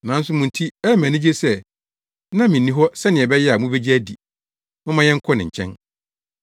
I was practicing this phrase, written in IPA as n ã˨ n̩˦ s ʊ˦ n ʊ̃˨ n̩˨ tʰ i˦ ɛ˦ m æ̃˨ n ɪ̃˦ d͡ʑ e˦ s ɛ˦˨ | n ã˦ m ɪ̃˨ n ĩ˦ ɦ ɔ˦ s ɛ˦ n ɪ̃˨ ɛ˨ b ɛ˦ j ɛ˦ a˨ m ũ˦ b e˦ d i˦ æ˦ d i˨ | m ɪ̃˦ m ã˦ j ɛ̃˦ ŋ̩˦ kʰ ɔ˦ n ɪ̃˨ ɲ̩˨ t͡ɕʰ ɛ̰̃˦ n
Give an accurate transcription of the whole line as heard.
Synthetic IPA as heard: n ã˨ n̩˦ s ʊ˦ m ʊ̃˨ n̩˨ tʰ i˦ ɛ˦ m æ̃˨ n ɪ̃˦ d͡ʑ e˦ s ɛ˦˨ | n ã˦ m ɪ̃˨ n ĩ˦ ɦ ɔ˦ s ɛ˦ n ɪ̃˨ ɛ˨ b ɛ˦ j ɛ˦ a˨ m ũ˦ b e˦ d͡ʑ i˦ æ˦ d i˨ | m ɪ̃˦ m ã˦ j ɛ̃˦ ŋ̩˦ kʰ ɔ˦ n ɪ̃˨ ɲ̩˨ t͡ɕʰ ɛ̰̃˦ n